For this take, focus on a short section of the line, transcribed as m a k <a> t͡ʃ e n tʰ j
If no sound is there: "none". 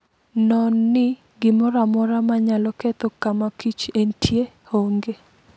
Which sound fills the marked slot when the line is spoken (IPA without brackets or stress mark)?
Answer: i